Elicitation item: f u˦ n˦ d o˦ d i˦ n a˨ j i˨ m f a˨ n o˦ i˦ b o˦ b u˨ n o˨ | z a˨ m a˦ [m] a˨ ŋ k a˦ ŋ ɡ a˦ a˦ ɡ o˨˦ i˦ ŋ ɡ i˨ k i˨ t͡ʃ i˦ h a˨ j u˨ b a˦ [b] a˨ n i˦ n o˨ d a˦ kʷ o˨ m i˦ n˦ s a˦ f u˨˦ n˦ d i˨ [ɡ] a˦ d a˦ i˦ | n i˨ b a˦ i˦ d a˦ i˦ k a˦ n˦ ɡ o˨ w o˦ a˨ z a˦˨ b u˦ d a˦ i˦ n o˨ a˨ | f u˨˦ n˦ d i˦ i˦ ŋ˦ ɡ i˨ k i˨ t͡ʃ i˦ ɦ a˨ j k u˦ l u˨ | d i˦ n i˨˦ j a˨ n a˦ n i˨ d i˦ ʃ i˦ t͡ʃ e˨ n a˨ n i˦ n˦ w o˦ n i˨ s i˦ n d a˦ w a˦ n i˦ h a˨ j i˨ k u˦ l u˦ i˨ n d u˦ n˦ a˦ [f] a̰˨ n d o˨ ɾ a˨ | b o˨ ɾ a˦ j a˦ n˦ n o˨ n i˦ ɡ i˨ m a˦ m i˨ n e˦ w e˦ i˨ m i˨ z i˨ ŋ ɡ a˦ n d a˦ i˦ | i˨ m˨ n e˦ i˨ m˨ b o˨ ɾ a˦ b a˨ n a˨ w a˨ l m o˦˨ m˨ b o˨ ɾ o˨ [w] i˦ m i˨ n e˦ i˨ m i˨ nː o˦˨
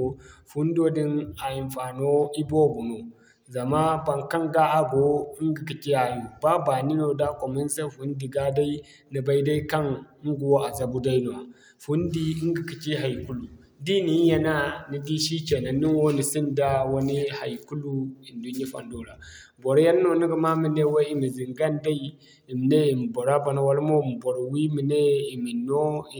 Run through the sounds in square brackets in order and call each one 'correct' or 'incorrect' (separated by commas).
incorrect, correct, correct, correct, correct